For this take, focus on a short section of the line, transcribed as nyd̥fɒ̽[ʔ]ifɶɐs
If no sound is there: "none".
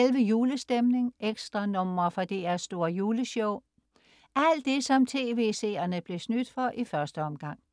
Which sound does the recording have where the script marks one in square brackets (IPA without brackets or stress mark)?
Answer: ʔ